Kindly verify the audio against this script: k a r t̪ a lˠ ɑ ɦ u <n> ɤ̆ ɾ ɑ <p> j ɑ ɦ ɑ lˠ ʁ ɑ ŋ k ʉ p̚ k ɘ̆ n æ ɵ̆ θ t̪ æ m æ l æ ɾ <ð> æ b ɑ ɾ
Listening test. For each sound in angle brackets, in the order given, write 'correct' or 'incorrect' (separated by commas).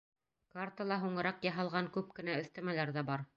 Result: incorrect, incorrect, correct